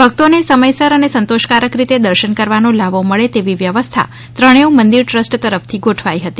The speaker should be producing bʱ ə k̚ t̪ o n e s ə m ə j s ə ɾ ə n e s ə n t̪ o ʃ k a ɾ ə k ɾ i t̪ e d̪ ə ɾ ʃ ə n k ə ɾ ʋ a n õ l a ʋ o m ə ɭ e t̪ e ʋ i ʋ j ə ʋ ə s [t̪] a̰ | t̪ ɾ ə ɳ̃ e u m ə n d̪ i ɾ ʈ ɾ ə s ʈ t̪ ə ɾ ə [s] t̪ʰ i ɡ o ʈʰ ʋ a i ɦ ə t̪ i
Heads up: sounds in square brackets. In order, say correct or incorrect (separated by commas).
incorrect, incorrect